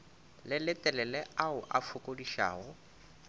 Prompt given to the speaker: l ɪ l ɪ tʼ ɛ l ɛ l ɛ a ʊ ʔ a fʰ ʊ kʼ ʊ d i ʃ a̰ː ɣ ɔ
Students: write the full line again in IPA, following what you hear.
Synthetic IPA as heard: l ɪ l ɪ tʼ ɛ l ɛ l ɛ a ʊ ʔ a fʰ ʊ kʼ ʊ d i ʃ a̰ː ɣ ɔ

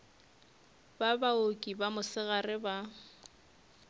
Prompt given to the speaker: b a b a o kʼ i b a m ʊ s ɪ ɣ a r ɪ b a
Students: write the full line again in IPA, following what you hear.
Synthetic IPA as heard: b a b a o kʼ i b a m ʊ s ɪ ɣ a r ɪ b a

